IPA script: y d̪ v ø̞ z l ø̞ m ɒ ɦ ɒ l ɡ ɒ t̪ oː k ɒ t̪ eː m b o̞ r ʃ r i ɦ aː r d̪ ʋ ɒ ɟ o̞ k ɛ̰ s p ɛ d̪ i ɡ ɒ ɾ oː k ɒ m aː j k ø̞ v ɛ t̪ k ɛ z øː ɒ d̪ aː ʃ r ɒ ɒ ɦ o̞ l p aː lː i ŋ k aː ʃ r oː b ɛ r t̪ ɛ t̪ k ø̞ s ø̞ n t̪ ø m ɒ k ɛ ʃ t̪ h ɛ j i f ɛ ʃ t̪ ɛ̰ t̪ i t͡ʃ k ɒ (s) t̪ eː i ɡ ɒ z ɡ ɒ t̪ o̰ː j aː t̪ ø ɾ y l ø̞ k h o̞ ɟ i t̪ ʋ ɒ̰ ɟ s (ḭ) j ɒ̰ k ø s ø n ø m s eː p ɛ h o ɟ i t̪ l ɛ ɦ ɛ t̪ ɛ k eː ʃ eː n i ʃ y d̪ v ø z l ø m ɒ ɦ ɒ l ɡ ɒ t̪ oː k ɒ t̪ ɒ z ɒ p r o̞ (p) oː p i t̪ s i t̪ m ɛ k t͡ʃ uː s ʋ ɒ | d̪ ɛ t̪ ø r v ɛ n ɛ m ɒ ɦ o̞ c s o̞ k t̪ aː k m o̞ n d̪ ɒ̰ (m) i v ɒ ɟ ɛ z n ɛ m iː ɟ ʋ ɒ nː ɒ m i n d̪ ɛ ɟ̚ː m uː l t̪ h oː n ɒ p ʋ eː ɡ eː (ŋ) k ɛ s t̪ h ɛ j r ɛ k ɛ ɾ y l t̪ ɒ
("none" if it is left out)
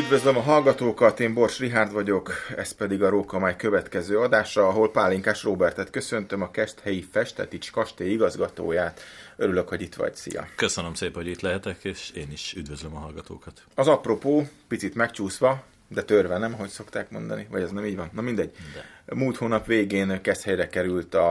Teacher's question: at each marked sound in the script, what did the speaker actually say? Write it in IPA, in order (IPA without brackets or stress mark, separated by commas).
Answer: ʃ, ḭ, p, n, n